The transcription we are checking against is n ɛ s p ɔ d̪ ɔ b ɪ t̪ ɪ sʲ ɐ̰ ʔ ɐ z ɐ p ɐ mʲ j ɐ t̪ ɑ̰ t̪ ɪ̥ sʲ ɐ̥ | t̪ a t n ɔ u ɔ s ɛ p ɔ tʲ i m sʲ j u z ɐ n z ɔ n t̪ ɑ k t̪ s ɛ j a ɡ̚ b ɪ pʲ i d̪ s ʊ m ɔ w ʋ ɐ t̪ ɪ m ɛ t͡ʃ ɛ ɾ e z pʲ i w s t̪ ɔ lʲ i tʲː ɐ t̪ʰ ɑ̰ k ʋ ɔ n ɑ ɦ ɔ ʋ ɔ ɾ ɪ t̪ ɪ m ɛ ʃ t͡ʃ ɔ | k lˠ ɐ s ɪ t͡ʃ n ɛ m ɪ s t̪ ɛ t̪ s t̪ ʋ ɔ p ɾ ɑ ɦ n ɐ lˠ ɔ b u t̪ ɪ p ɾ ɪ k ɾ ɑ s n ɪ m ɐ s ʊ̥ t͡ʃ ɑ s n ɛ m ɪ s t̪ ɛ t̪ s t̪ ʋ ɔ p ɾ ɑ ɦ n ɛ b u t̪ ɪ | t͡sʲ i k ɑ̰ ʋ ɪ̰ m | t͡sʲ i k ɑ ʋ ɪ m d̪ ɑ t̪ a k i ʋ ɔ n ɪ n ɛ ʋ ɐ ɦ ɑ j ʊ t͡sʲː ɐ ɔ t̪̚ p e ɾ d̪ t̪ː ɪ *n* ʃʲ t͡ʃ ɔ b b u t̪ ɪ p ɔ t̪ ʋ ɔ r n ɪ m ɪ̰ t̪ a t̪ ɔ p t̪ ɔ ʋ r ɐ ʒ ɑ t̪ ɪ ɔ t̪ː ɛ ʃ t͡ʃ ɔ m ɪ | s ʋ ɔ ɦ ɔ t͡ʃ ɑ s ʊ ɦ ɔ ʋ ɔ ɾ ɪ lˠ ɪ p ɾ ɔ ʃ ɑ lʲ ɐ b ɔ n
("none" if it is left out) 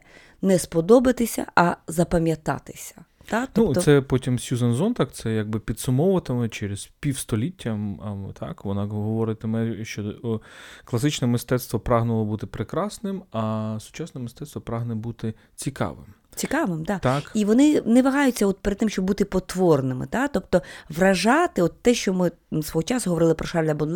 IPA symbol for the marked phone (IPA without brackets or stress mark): m